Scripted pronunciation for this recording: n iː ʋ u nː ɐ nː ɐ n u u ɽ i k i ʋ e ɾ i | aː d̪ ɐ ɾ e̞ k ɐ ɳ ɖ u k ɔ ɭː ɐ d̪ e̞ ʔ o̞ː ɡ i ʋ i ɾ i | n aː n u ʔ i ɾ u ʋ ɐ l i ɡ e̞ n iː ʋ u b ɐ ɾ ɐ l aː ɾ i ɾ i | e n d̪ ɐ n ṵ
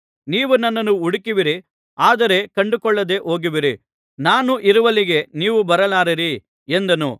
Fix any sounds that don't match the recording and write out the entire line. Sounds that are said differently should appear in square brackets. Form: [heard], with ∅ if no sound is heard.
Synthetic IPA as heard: n iː ʋ u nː ɐ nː ɐ n u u ɽ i k i ʋ [i] ɾ i | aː d̪ ɐ ɾ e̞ k ɐ ɳ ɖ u k ɔ ɭː ɐ d̪ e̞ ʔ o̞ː ɡ i ʋ i ɾ i | n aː n u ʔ i ɾ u ʋ ɐ l i ɡ e̞ n iː ʋ u b ɐ ɾ ɐ l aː ɾ i ɾ i | e n d̪ ɐ n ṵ